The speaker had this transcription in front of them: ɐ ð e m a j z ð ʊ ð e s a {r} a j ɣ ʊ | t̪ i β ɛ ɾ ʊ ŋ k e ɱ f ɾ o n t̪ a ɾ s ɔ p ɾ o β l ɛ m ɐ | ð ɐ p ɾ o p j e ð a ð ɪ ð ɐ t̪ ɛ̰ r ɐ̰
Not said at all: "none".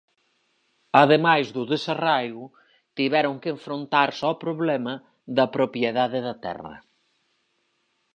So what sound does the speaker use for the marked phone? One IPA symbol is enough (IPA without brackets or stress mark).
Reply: r